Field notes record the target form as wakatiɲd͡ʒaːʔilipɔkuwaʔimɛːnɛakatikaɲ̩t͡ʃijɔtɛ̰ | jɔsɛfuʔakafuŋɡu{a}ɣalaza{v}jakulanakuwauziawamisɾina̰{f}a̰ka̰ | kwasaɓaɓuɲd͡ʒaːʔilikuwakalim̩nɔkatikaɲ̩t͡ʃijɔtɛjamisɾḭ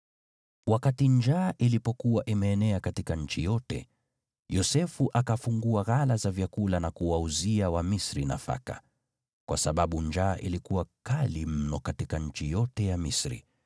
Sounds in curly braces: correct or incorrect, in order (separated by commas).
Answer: correct, correct, correct